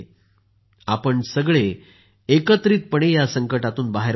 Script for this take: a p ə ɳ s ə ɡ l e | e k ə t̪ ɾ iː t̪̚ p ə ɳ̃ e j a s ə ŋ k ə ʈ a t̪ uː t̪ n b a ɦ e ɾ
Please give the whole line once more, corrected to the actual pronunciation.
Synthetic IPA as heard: a p ə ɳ s ə ɡ ɭ e | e k ə t̪ ɾ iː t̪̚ p ə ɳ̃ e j a s ə ŋ k ə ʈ a t̪ uː n b a ɦ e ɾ